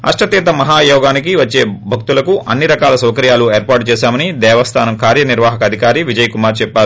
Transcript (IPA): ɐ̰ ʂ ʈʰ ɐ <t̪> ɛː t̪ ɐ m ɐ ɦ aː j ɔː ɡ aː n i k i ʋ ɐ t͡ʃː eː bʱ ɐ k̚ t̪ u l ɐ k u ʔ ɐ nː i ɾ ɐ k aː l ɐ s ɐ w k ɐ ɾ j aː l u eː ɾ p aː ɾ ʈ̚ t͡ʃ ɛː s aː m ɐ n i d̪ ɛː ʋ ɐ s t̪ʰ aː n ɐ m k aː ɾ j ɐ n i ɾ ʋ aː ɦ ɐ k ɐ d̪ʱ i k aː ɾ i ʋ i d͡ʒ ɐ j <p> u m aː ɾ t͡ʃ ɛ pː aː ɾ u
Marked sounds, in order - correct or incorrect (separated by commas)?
correct, incorrect